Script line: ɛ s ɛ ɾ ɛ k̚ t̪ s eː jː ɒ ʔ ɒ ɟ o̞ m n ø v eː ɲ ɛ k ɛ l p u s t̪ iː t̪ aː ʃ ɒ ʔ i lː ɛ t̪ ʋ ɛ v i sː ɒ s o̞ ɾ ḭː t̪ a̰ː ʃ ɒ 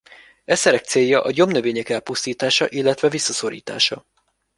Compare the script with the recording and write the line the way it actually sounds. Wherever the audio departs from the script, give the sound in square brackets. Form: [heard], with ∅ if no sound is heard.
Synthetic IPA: ɛ s ɛ ɾ ɛ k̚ t̪ s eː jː ɒ ʔ ɒ ɟ o̞ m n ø v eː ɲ ɛ k ɛ l p u s t̪ iː t̪ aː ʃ ɒ ʔ i lː ɛ t̪ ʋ ɛ v i sː ɒ s o̞ ɾ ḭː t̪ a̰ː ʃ ɒ